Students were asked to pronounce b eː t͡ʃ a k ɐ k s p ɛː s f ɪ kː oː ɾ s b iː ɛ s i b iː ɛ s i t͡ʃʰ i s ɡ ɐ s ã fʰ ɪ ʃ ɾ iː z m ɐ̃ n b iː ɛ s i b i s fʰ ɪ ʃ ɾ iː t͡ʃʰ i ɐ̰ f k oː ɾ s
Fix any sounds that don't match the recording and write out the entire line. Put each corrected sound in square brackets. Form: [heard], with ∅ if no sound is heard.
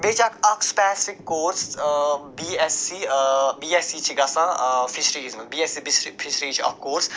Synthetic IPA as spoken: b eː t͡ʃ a k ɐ k s p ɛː s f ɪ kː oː ɾ s b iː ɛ s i b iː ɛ s i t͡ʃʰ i [∅] ɡ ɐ s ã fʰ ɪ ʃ ɾ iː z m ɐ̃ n b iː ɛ s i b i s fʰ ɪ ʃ ɾ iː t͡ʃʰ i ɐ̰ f k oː ɾ s